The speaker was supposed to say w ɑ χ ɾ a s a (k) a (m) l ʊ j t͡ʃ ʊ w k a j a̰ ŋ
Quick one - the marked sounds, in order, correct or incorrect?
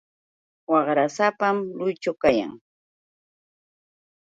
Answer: incorrect, correct

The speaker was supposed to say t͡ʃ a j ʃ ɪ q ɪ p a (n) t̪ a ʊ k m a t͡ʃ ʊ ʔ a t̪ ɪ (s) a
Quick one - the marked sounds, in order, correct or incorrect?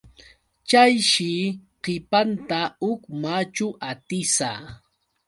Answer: correct, correct

